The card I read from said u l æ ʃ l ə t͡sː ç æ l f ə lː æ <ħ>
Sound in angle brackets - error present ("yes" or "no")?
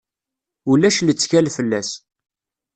yes